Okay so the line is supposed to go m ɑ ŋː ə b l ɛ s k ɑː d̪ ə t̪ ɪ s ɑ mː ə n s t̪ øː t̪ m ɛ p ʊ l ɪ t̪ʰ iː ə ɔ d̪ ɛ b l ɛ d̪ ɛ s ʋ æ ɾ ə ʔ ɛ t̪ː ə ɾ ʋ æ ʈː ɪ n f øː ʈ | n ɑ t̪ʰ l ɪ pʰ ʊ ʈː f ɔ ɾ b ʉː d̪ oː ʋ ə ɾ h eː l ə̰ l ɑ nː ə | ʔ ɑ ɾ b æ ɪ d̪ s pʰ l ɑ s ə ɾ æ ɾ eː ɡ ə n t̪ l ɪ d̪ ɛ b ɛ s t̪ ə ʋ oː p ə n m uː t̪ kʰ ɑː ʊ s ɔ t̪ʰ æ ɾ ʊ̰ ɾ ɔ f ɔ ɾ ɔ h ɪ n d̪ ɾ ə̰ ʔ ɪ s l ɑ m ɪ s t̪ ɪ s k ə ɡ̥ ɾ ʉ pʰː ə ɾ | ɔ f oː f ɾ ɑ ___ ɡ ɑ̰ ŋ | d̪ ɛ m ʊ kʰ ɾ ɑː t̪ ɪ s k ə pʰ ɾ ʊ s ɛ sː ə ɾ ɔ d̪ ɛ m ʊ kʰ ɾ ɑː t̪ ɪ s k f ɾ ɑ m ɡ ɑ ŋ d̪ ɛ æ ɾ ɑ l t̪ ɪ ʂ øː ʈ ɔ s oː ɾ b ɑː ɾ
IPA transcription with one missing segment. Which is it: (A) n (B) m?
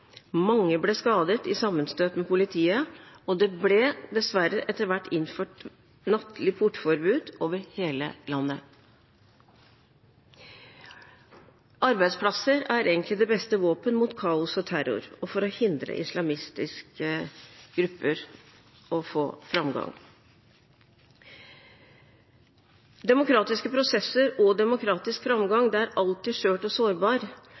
B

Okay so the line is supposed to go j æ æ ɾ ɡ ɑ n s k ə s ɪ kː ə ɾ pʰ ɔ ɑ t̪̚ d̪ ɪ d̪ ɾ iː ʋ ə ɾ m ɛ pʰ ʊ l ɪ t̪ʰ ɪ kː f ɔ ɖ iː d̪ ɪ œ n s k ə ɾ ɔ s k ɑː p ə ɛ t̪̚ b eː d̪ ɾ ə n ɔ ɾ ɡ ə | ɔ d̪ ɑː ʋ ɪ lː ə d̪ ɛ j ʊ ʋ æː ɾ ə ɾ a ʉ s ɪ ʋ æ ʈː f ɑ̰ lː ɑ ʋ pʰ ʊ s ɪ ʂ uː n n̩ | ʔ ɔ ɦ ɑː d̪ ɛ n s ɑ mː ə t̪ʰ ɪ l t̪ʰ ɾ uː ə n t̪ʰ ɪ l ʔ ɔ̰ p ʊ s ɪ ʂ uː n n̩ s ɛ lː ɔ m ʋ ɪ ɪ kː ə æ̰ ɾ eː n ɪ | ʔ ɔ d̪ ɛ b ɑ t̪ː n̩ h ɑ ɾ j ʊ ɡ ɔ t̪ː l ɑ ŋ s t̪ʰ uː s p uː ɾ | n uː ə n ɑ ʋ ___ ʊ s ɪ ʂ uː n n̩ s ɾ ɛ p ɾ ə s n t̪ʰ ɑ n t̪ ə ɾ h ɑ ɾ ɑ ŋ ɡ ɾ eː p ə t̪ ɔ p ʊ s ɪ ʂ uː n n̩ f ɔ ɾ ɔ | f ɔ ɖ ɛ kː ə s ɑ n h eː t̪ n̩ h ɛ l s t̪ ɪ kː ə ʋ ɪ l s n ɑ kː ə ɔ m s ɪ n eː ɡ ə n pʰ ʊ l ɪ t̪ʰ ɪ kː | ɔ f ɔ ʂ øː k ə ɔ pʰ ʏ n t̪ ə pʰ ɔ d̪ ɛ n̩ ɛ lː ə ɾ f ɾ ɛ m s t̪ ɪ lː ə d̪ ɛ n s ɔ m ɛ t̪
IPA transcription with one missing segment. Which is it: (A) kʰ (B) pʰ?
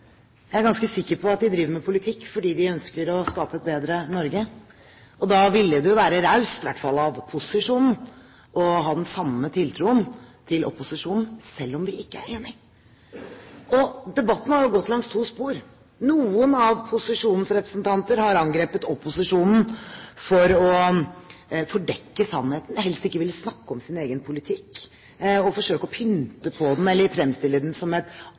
B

